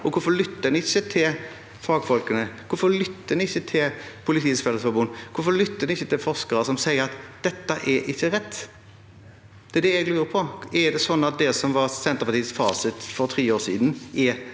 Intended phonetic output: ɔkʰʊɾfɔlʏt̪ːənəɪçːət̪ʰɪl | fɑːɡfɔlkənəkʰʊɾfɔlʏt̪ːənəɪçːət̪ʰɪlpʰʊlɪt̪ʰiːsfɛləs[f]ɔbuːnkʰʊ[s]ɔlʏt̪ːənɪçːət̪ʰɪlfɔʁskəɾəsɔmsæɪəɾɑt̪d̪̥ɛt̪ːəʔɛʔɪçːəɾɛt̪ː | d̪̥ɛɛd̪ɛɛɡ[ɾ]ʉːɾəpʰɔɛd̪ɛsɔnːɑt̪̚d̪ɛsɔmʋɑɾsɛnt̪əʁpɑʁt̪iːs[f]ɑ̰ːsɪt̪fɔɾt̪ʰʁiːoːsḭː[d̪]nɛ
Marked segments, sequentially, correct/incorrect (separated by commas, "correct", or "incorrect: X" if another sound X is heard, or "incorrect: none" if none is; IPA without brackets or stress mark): correct, incorrect: f, incorrect: l, correct, correct